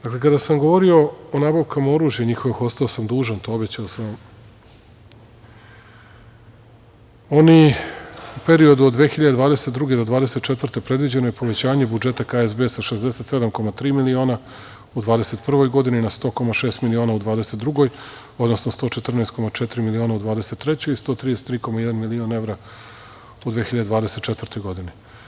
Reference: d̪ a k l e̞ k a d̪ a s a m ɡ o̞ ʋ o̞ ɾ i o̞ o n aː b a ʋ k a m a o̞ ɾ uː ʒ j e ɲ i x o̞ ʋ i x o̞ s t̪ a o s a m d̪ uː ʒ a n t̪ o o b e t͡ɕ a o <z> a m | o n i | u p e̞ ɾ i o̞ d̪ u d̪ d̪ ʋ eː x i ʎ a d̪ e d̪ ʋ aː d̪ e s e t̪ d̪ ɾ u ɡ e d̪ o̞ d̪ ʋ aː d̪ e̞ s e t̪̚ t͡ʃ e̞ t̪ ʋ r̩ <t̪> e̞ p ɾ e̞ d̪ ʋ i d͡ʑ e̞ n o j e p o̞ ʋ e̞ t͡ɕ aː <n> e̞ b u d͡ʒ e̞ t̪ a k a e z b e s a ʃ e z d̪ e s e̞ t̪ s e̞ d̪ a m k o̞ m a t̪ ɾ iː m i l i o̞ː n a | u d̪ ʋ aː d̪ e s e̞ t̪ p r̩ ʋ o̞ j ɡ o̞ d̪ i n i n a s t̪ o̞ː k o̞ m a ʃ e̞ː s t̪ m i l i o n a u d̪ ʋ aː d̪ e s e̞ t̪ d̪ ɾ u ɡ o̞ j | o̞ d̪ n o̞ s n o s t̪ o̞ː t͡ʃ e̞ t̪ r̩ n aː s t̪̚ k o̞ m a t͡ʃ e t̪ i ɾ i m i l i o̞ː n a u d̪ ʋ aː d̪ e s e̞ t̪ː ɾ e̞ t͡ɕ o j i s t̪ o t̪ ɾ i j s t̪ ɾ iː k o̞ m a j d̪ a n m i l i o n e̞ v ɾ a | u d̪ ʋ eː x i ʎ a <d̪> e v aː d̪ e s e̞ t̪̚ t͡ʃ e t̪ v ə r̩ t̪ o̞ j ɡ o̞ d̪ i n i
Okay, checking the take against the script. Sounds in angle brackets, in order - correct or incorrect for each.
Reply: incorrect, correct, incorrect, correct

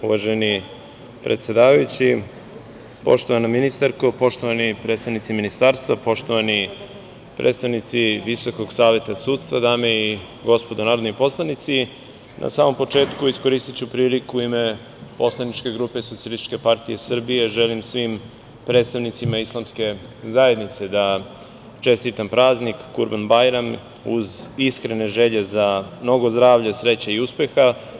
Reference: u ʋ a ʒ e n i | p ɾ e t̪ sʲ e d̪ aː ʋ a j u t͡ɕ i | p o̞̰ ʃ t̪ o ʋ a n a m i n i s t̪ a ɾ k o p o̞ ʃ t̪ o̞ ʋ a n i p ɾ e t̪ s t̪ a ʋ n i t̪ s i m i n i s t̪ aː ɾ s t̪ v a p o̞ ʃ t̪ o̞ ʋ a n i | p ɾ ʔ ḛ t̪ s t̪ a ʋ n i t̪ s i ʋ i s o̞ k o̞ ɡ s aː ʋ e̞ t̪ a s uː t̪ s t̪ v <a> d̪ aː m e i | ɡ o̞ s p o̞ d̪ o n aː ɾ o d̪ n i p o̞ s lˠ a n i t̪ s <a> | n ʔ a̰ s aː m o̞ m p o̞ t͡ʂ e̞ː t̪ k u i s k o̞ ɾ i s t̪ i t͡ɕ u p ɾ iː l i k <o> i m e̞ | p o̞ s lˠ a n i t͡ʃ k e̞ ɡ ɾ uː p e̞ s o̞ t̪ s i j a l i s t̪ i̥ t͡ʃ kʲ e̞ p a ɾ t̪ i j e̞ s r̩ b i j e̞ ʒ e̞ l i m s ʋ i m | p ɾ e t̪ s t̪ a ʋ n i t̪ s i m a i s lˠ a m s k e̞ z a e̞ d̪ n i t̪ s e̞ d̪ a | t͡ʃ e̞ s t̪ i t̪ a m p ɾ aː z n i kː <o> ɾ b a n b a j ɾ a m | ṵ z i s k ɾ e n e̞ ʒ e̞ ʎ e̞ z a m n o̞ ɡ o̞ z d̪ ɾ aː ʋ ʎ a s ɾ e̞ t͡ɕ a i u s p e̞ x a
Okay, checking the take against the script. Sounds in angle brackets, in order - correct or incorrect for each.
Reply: correct, incorrect, incorrect, incorrect

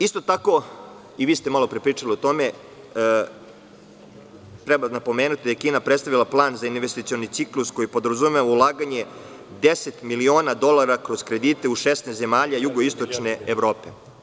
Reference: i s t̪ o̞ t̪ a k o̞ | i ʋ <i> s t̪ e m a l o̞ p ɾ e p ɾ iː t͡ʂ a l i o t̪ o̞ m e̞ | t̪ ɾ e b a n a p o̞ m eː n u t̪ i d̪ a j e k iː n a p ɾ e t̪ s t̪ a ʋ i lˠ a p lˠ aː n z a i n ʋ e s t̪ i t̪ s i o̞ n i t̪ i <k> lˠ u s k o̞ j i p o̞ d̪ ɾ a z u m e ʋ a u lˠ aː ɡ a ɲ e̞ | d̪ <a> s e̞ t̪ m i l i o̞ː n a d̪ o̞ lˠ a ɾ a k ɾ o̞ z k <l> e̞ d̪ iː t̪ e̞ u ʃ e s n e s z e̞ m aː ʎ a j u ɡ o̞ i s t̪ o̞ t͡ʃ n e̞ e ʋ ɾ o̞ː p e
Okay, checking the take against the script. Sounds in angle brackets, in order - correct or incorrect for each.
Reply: incorrect, correct, incorrect, incorrect

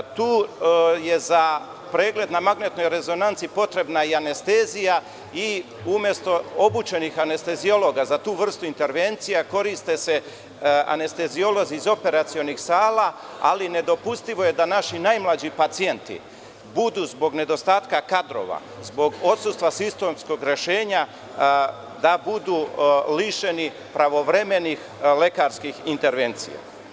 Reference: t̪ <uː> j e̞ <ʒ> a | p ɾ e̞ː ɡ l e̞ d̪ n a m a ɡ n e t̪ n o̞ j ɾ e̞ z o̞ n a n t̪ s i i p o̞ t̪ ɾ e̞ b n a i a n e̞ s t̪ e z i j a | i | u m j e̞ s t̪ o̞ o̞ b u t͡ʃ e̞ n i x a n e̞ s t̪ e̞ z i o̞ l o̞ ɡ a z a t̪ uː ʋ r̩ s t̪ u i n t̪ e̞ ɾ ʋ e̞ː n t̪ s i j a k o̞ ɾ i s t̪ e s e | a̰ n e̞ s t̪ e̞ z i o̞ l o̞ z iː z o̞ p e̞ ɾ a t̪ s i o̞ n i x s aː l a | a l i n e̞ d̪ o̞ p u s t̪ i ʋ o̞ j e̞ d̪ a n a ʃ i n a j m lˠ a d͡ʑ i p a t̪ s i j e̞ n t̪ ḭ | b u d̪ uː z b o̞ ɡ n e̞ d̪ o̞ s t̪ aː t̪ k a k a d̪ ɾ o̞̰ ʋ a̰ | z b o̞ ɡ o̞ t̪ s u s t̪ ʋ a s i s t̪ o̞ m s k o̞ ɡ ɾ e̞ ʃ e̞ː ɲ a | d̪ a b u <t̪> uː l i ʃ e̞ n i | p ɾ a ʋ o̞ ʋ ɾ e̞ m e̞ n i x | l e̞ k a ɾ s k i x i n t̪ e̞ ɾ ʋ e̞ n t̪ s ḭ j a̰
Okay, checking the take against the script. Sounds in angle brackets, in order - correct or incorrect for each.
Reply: correct, incorrect, incorrect

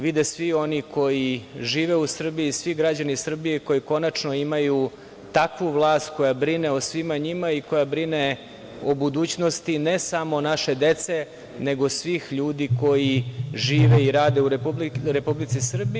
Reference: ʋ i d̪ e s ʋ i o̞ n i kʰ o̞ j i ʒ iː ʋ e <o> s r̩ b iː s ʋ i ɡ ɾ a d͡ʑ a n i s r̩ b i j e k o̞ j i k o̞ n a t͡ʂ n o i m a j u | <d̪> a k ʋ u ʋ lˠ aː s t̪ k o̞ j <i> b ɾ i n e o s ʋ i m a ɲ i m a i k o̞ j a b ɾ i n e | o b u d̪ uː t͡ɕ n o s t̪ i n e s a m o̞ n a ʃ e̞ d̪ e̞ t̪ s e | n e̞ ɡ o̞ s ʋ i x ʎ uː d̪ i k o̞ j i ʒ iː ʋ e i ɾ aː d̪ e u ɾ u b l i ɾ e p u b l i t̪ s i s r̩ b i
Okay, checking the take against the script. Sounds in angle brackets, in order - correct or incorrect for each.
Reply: incorrect, incorrect, incorrect

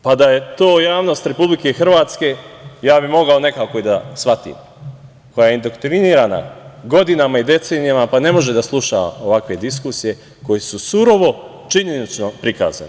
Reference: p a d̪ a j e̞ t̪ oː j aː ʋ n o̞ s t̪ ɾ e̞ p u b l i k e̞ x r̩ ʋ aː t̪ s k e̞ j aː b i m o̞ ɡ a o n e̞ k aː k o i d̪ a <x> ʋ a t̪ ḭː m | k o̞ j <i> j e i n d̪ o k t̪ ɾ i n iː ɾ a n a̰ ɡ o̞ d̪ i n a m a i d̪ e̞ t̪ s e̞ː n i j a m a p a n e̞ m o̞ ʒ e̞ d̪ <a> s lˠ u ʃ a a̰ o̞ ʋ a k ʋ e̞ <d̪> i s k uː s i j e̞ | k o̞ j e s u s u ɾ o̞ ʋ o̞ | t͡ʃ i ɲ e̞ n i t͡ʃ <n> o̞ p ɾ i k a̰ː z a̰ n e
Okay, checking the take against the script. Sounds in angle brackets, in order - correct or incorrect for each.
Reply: incorrect, incorrect, correct, correct, correct

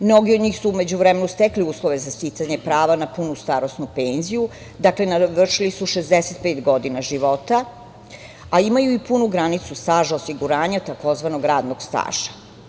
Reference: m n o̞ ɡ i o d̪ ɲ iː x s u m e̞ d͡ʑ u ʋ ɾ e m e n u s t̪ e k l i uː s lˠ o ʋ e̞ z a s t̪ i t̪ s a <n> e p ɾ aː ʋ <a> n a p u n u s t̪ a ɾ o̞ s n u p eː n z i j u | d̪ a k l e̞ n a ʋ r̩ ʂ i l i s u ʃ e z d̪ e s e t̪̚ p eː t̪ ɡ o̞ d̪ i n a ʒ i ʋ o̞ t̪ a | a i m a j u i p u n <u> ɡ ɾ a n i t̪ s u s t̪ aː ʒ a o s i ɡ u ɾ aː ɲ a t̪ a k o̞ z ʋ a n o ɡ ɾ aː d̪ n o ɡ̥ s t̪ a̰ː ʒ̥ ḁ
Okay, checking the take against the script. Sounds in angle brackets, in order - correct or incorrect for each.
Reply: incorrect, correct, correct

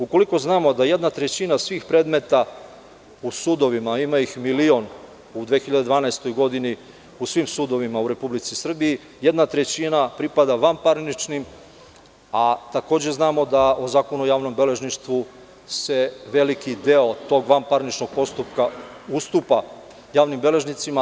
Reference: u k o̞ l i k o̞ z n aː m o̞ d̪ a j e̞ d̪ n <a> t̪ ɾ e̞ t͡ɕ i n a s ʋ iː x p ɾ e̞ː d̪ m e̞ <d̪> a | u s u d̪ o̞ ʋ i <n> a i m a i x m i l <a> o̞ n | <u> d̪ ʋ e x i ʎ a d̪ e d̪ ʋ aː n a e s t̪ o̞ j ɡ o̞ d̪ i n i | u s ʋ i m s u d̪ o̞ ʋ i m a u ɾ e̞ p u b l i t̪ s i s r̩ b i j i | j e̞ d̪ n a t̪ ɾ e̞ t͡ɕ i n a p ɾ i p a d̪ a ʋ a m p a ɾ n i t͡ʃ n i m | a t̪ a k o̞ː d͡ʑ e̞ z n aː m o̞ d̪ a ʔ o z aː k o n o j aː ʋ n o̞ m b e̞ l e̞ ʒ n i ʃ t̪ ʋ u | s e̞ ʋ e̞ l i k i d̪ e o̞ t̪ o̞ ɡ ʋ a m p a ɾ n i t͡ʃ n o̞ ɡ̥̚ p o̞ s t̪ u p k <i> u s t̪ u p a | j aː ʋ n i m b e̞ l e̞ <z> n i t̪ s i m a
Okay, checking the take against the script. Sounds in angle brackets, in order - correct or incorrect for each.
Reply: correct, incorrect, incorrect, incorrect, correct, incorrect, incorrect

